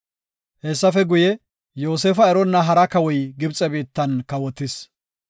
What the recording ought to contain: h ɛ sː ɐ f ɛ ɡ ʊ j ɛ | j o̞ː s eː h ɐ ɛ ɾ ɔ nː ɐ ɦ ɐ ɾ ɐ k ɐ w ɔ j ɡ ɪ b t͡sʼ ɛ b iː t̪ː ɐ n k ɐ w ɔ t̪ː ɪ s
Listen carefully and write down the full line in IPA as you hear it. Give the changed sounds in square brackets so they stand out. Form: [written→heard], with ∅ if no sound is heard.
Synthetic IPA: h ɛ sː ɐ f ɛ ɡ ʊ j ɛ | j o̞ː s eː [h→f] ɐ ɛ ɾ ɔ nː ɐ ɦ ɐ ɾ ɐ k ɐ w ɔ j ɡ ɪ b t͡sʼ ɛ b iː t̪ː ɐ n k ɐ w ɔ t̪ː ɪ s